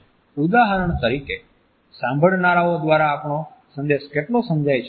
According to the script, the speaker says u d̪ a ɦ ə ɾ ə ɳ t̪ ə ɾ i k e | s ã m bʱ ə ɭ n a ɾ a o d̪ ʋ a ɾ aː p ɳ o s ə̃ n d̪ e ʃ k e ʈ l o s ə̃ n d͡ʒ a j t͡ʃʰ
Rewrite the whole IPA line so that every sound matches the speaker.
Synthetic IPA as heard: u d̪ a ɦ ə ɾ ə ɳ t̪ ə ɾ i k e | s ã m bʱ ə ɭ n a ɾ a o d̪ ʋ a ɾ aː p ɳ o s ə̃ n d̪ e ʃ k e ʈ l o s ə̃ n d͡ʒ a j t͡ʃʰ